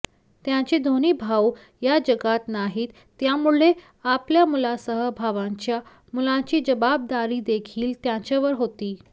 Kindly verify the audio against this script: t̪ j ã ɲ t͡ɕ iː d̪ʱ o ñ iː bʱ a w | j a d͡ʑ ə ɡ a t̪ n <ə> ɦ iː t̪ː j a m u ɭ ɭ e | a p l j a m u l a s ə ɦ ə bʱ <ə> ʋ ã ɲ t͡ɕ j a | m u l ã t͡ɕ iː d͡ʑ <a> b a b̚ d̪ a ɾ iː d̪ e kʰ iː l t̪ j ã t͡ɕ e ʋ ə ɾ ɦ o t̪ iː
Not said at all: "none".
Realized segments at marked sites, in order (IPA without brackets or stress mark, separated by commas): a, a, ə